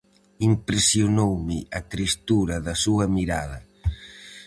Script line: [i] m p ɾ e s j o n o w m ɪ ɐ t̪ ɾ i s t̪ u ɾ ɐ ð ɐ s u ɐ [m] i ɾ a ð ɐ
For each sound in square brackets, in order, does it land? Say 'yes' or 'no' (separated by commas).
yes, yes